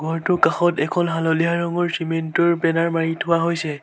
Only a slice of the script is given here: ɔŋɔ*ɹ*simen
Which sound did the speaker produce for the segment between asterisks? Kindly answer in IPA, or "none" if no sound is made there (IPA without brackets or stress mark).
ɹ